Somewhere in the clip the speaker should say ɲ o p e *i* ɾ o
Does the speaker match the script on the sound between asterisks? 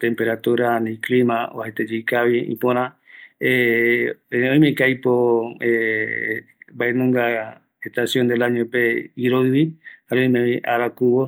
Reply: yes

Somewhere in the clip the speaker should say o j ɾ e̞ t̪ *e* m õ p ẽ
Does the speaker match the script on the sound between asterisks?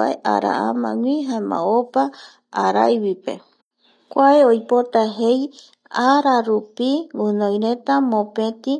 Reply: no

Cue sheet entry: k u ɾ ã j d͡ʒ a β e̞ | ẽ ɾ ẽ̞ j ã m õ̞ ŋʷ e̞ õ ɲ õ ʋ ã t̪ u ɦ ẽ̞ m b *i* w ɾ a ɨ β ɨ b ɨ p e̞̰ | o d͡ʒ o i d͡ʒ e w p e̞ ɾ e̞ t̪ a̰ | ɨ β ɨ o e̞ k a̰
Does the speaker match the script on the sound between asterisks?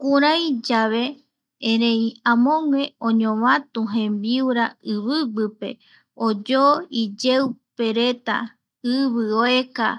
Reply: yes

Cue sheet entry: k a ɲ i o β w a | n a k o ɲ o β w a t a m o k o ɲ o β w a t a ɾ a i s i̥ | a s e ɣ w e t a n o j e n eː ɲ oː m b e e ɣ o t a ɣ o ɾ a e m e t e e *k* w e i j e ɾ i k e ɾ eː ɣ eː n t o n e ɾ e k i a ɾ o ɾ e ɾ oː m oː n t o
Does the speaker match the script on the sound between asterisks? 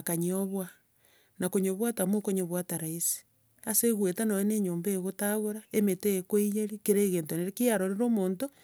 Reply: yes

